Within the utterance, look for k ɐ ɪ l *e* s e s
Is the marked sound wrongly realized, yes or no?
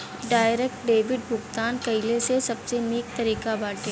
no